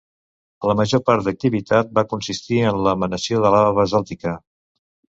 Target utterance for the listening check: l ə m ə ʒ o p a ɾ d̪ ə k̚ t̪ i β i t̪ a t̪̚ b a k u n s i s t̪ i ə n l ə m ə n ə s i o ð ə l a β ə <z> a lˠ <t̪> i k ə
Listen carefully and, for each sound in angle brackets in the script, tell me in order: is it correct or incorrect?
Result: correct, correct

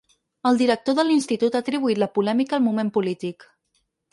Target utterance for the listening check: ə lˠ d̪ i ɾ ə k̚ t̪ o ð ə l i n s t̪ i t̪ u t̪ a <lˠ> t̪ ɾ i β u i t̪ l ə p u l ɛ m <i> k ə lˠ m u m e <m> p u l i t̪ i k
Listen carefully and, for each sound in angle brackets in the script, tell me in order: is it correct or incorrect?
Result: incorrect: none, correct, correct

